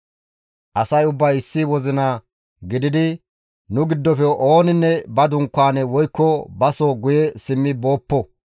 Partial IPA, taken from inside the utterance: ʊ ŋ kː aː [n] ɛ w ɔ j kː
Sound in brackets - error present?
no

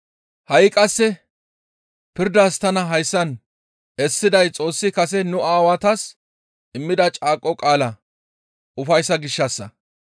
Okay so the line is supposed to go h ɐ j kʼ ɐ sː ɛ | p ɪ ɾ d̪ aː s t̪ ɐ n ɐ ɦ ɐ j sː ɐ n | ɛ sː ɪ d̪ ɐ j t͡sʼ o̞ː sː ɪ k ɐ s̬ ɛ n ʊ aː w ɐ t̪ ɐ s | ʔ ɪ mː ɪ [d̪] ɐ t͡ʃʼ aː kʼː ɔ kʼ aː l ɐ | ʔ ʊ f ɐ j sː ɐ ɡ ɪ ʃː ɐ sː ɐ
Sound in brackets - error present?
no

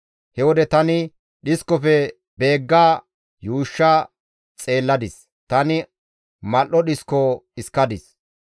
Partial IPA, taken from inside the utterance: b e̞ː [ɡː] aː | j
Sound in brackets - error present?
no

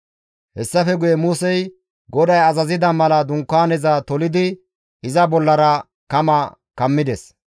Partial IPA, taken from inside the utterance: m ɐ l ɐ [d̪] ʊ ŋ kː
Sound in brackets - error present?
no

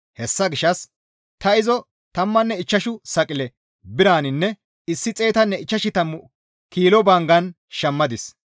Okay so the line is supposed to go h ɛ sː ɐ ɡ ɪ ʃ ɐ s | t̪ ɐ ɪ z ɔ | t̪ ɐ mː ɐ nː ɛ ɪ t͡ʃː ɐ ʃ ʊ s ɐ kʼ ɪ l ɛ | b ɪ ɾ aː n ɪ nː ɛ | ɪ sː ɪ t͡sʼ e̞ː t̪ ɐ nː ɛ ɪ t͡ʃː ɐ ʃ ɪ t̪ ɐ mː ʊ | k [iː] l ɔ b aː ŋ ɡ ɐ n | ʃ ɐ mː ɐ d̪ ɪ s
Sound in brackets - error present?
no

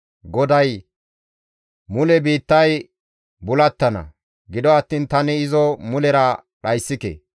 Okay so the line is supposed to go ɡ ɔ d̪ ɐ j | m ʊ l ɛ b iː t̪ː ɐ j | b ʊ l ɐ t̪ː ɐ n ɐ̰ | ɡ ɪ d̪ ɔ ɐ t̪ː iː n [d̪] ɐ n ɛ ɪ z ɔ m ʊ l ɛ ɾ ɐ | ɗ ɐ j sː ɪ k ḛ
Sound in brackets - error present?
yes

